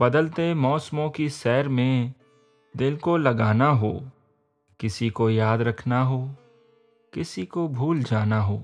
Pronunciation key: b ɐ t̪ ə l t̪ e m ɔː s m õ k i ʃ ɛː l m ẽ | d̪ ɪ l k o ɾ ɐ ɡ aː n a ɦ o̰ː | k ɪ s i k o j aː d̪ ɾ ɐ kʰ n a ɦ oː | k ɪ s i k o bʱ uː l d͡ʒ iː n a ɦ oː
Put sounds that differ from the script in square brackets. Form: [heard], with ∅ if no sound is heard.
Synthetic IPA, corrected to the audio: b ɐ [d̪] ə l t̪ e m ɔː s m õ k i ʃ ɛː [ɾ] m ẽ | d̪ ɪ l k o [l] ɐ ɡ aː n a ɦ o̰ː | k ɪ s i k o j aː d̪ ɾ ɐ kʰ n a ɦ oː | k ɪ s i k o bʱ uː l d͡ʒ [aː] n a ɦ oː